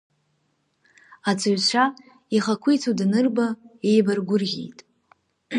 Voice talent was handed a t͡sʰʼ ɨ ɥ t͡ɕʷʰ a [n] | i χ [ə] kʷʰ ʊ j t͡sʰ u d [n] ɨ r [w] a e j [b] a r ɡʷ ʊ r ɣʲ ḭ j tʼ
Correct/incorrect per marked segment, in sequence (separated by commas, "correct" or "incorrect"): incorrect, incorrect, correct, incorrect, correct